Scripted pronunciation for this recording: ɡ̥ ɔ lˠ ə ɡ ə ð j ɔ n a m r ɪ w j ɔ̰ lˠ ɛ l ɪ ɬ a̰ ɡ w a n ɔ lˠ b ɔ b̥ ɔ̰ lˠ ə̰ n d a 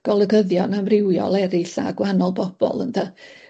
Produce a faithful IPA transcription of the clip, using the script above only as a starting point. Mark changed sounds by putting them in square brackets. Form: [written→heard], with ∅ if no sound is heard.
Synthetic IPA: ɡ̥ ɔ lˠ ə ɡ ə ð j ɔ n a m r ɪ w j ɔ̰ lˠ ɛ [l→ɾ] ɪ ɬ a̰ ɡ w a n ɔ lˠ b ɔ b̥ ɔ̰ lˠ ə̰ n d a